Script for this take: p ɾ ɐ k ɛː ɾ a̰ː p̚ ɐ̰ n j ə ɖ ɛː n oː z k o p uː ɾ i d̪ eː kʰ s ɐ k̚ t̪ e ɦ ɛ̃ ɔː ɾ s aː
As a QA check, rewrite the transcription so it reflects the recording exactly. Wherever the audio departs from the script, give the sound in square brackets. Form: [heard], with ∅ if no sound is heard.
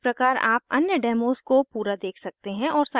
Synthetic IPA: p ɾ ɐ k [aː] ɾ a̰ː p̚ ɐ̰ n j ə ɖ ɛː [m] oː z k o p uː ɾ [a] d̪ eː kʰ s ɐ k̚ t̪ e ɦ ɛ̃ ɔː ɾ s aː